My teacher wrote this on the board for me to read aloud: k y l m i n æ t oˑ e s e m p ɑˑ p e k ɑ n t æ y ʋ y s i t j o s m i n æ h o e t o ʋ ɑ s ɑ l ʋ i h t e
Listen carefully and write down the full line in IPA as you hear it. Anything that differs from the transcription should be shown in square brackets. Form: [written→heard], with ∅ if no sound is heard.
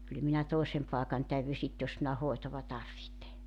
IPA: k y l m i n æ t oˑ e s e m p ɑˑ [p→∅] e k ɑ n t æ y ʋ y s i t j o s m i n æ h o e t o ʋ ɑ [s→t] ɑ [l→r] ʋ i h t e